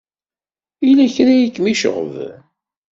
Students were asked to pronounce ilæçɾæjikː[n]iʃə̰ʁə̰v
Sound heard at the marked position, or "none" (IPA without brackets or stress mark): m